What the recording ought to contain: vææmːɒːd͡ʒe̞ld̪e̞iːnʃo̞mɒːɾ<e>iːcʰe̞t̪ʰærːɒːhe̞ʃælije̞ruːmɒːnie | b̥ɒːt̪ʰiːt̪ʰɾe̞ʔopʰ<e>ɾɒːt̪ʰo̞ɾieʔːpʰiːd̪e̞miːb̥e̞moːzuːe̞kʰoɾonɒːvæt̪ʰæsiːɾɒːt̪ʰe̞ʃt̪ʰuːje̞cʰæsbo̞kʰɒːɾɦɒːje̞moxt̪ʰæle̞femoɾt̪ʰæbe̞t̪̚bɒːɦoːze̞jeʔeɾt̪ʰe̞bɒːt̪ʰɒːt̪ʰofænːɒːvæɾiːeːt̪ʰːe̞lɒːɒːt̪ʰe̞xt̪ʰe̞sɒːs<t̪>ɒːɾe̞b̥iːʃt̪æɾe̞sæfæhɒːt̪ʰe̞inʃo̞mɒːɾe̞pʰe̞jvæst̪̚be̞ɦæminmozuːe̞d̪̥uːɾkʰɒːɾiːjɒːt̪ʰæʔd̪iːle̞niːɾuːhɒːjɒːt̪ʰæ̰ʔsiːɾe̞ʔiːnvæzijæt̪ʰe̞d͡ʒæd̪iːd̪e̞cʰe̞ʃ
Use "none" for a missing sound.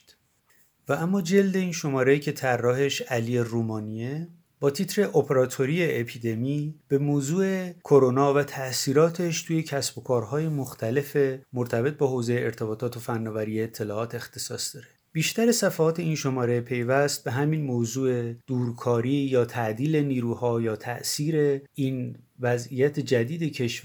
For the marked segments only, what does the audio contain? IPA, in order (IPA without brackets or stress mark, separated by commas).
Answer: e, e, d̪